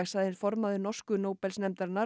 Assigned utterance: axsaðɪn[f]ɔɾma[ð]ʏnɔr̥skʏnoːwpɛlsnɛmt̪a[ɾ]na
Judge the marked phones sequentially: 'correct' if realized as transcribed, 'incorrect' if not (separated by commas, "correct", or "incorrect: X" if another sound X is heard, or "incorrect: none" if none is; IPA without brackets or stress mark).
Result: correct, correct, correct